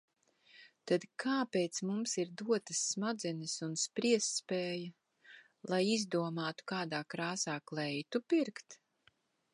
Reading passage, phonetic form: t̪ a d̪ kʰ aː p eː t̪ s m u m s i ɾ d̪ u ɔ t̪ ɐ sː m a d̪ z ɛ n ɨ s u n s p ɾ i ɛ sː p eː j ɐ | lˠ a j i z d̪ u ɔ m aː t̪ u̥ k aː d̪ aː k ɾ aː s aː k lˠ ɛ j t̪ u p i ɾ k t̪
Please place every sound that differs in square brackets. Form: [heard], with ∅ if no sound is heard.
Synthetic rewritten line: t̪ a d̪ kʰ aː p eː t̪ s m u m s i ɾ d̪ u ɔ t̪ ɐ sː m a d̪ z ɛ n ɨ s u n s p ɾ i ɛ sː p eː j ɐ | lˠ a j i z d̪ u ɔ m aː t̪ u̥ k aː d̪ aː k ɾ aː s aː k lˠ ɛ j t̪ u p i ɾ k t̪